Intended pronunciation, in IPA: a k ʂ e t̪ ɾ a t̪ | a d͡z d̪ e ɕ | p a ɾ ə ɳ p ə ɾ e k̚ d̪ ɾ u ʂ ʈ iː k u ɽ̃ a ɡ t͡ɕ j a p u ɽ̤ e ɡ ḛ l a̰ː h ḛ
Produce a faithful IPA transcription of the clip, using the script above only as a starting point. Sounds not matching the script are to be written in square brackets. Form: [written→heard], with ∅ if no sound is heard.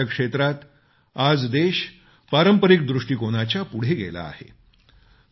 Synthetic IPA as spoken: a k ʂ e t̪ ɾ a t̪ | a d͡z d̪ e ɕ | p a ɾ ə [ɳ→m] p ə ɾ [e→i] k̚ d̪ ɾ u ʂ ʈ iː k [u→o] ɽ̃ a [ɡ→∅] t͡ɕ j a p u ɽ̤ e ɡ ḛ l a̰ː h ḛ